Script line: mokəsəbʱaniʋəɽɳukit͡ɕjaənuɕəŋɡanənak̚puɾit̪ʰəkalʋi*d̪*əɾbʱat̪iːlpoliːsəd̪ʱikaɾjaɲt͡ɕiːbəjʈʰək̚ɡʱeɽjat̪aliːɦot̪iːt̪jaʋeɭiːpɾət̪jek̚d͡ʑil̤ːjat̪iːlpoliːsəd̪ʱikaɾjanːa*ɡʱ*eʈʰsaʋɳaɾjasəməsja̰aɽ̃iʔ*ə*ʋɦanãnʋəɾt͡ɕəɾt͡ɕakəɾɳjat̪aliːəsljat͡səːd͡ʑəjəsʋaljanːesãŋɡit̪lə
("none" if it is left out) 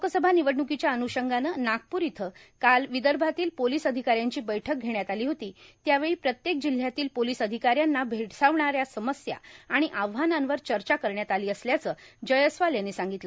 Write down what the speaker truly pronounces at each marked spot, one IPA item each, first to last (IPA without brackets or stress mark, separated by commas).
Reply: d̪, bʱ, a